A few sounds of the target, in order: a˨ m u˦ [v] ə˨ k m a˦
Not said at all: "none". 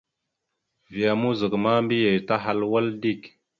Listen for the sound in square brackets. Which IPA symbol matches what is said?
z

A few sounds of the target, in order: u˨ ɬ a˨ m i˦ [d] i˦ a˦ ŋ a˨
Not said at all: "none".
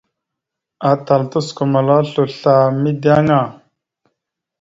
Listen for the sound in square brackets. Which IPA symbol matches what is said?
d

